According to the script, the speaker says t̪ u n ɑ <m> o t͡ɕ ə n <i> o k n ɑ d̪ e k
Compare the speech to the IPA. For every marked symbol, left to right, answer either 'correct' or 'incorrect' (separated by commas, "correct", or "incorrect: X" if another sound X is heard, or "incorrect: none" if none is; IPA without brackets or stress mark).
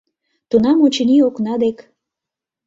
correct, correct